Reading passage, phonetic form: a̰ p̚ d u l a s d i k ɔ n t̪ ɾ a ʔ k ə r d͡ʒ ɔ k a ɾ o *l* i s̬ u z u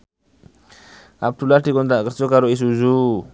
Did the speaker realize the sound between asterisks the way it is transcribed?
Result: no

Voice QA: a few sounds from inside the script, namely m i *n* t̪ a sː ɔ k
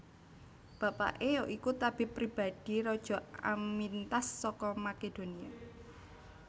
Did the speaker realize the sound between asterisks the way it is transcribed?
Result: yes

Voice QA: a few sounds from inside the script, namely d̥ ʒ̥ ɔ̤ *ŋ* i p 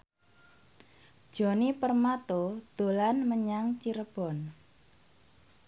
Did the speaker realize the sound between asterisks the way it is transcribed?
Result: no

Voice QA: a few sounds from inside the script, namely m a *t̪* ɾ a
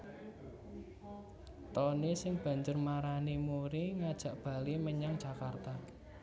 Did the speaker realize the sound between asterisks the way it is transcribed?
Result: no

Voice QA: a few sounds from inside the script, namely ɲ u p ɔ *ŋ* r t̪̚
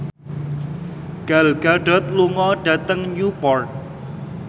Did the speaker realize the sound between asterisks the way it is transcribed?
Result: no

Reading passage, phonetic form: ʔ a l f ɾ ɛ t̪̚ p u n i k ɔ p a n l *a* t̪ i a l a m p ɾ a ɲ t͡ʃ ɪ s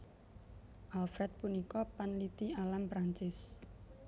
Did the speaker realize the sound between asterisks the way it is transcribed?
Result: no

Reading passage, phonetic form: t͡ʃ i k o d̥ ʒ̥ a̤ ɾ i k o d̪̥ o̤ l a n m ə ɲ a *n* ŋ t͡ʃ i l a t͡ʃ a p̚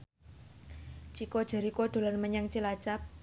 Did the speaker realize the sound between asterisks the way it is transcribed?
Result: no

